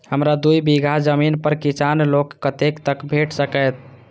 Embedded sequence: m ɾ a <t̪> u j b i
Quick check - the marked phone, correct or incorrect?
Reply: incorrect: d̪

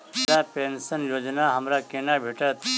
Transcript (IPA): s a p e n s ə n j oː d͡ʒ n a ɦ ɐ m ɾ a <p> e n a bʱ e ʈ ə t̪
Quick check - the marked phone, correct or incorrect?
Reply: incorrect: k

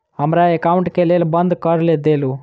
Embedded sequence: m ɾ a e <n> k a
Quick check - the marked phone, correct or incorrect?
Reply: incorrect: none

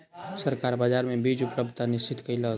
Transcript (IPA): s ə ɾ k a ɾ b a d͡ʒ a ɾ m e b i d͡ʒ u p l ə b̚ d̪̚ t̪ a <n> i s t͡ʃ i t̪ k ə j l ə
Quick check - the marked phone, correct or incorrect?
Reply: correct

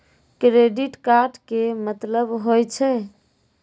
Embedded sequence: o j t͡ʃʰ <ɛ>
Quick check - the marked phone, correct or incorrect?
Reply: correct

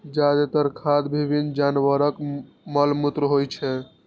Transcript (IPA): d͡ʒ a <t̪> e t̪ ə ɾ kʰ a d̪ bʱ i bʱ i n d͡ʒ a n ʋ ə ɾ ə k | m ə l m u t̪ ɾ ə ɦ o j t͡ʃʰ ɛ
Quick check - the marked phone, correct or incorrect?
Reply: incorrect: d̪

